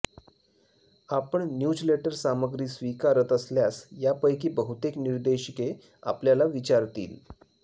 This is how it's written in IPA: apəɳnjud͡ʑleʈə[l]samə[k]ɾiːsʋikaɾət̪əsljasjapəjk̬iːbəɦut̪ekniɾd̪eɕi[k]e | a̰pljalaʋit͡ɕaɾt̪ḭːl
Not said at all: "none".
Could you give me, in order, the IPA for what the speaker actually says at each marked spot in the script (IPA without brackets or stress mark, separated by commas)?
ɾ, ɡ, k